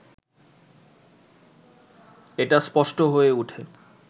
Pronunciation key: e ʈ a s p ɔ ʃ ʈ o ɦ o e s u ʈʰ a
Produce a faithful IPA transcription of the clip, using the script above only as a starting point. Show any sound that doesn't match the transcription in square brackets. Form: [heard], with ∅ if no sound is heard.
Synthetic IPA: e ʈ a s p ɔ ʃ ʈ o ɦ o e [∅] u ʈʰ [e]